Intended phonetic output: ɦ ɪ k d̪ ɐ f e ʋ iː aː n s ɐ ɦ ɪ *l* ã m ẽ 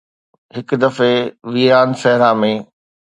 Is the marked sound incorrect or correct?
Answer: incorrect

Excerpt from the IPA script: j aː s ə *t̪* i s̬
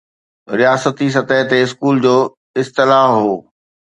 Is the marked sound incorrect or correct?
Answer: correct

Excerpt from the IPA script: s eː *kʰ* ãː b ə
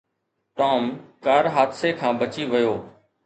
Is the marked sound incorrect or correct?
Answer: correct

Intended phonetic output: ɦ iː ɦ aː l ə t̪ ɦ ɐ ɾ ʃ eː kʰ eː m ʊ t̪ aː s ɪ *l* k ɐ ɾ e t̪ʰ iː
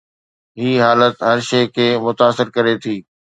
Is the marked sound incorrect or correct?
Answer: incorrect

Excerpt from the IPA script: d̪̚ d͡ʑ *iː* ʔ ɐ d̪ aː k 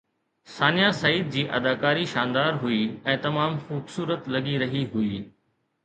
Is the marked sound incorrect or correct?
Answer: correct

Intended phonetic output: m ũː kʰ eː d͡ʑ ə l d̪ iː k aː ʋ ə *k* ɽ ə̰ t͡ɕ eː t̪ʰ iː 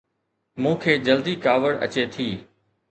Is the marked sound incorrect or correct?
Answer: incorrect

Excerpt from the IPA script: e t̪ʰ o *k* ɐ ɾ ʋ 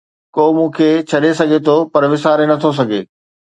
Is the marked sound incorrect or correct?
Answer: incorrect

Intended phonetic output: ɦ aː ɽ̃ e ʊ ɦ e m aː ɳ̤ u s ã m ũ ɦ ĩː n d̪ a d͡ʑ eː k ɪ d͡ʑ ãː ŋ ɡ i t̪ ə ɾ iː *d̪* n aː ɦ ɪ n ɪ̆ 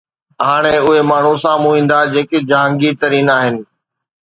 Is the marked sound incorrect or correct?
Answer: incorrect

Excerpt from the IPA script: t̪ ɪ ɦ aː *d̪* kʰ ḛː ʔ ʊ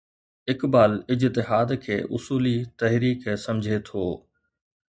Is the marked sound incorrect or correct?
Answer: correct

